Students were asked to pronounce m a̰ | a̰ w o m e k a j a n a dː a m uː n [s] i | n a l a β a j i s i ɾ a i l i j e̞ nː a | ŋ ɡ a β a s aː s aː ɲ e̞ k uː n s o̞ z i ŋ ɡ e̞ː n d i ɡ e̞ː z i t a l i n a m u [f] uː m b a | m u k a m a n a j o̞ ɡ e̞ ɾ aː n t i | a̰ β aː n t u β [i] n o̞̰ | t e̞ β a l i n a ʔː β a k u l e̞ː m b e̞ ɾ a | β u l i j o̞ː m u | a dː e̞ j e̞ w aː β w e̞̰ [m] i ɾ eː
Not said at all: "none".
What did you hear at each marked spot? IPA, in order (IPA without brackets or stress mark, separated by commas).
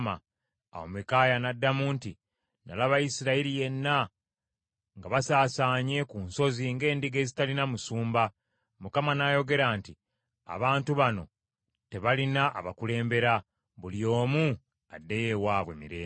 t, s, a, m